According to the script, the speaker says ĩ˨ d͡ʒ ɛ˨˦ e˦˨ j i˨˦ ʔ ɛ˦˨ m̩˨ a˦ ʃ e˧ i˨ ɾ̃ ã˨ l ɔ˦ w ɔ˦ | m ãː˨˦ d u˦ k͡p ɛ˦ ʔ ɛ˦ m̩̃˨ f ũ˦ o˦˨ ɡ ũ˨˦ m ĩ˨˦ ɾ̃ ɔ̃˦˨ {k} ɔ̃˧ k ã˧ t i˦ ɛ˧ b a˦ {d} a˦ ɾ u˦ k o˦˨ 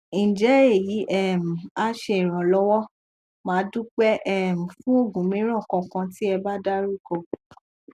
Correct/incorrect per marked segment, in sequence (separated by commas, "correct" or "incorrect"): correct, correct